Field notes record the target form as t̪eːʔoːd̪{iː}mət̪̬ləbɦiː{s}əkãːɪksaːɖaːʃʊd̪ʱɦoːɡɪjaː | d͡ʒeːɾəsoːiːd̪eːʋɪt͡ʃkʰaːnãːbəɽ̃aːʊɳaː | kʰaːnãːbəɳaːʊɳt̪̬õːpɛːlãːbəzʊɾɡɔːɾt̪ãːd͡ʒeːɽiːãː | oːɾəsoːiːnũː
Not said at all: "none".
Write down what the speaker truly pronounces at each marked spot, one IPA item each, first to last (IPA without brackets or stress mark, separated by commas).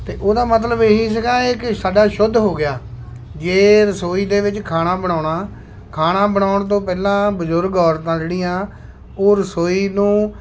aː, s